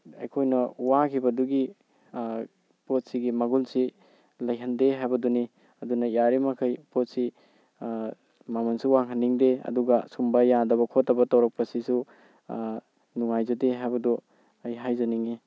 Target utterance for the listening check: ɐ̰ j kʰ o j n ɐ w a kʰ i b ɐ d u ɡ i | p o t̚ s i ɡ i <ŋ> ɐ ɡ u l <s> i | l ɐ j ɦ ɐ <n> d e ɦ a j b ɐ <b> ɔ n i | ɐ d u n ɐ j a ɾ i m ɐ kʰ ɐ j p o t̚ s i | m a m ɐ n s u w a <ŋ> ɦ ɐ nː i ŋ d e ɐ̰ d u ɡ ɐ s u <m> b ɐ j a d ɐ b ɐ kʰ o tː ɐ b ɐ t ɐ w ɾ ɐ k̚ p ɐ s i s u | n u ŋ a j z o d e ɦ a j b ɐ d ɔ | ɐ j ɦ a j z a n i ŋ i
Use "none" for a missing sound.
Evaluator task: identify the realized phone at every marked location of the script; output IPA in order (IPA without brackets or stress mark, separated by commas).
m, s, n, d, ŋ, m